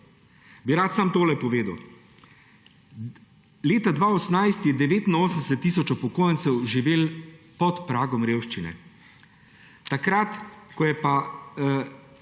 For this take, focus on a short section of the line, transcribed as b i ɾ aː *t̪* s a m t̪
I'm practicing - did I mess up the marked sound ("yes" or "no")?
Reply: no